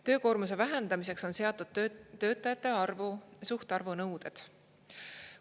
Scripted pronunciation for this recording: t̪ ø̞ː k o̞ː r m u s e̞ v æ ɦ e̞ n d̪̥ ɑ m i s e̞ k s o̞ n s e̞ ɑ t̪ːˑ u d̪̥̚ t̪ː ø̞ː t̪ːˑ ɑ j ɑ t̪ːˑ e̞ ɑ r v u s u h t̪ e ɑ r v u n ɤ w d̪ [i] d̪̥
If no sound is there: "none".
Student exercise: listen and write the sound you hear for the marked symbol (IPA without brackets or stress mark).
e